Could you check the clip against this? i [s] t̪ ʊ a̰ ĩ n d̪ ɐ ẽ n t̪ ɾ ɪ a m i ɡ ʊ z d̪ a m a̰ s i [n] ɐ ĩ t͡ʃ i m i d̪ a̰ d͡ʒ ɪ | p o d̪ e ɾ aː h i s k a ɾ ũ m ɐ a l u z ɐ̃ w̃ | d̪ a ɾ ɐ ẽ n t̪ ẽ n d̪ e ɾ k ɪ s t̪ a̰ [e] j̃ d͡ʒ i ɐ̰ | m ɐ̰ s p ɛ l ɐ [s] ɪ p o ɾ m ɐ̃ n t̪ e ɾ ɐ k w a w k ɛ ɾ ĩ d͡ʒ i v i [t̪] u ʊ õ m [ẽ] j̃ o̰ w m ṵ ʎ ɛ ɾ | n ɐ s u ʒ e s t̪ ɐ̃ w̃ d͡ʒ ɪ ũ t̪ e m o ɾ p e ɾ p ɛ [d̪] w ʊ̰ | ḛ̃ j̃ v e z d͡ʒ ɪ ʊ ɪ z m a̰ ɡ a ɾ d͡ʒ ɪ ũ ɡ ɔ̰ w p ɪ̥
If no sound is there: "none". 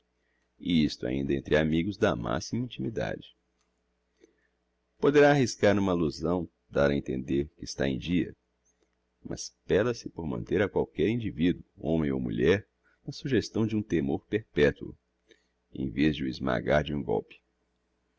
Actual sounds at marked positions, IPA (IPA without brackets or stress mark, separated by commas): s, m, ẽ, s, d̪, ẽ, t̪